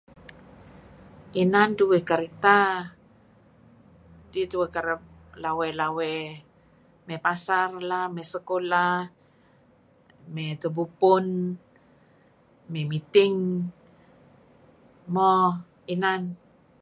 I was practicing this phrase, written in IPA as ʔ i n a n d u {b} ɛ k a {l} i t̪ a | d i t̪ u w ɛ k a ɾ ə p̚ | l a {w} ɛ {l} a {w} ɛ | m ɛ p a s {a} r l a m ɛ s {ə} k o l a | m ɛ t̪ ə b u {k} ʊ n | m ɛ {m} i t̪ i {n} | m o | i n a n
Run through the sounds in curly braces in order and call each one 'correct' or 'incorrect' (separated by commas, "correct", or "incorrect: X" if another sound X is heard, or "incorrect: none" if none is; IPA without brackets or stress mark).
incorrect: w, incorrect: ɾ, correct, correct, correct, correct, correct, incorrect: p, correct, incorrect: ŋ